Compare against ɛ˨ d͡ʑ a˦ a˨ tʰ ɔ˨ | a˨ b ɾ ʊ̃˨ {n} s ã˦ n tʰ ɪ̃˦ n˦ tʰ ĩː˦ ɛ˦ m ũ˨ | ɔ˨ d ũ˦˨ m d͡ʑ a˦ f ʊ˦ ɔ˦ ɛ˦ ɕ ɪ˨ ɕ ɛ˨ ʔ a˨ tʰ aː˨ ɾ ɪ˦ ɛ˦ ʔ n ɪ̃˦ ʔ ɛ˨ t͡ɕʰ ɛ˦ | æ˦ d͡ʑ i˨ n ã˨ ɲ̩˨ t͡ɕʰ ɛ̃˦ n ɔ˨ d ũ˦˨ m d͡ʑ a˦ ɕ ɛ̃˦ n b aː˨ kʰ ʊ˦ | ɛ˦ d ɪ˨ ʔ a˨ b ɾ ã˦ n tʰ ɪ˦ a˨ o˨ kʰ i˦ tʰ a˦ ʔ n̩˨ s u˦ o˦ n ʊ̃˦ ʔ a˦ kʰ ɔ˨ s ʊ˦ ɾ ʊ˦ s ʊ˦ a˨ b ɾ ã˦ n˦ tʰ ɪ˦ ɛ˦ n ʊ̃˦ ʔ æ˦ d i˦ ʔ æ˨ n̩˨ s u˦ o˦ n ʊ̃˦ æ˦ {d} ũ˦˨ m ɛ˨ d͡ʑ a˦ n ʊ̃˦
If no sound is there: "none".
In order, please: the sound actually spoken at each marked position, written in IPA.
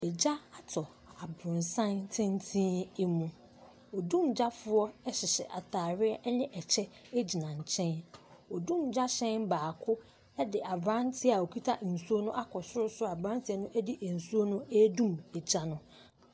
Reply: n, d

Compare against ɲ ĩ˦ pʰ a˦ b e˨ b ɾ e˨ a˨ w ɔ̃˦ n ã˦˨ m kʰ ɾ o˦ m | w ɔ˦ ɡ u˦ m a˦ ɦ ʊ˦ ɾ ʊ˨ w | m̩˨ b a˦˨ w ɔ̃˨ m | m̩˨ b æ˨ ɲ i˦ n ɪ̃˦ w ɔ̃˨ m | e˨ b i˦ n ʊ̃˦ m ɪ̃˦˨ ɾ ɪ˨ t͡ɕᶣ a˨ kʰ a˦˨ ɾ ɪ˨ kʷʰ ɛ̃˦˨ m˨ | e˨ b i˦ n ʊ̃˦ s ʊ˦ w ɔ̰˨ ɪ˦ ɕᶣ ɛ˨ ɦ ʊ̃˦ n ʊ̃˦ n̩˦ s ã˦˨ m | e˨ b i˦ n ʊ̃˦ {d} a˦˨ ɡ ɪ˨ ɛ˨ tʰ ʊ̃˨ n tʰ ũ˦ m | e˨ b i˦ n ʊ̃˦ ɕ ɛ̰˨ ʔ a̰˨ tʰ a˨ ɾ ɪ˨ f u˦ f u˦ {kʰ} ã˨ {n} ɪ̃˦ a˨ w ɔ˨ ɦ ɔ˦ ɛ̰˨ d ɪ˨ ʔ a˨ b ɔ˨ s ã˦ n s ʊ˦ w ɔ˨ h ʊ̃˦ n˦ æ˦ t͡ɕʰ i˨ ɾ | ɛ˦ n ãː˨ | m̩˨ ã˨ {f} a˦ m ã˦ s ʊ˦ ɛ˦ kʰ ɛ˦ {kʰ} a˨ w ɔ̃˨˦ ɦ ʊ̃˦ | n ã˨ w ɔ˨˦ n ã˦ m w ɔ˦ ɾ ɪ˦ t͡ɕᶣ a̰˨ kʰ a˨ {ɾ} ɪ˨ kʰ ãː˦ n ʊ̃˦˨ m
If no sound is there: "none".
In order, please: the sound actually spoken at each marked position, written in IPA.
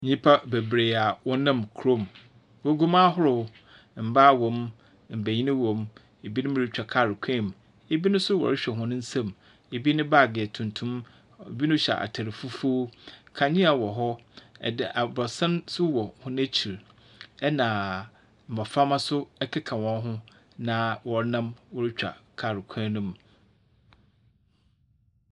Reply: b, kʰ, ɲ, f, kʰ, ɾ

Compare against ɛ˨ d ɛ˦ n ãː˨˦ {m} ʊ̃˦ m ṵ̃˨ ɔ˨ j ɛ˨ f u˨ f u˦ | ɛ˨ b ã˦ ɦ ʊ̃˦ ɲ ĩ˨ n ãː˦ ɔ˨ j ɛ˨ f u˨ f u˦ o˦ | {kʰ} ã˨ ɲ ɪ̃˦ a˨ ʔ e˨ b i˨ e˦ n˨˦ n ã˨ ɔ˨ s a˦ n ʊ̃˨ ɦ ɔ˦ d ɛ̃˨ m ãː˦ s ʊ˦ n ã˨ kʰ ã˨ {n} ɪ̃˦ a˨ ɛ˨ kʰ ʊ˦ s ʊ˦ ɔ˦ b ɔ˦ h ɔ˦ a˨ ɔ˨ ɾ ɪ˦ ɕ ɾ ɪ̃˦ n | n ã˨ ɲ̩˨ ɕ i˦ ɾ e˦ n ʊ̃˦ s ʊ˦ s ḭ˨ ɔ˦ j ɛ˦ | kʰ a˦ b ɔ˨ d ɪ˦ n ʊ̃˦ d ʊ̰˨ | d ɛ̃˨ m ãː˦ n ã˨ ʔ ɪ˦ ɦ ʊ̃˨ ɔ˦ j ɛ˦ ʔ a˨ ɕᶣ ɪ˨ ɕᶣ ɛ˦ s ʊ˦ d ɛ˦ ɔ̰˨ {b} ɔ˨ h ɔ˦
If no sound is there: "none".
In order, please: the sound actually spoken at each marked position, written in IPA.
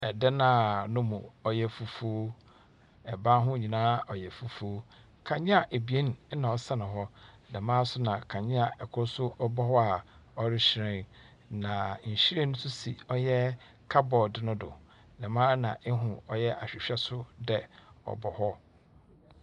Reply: n, kʰ, ɲ, b

